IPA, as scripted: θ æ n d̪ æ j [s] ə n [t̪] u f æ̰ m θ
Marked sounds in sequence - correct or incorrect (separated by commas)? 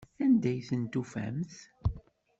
incorrect, correct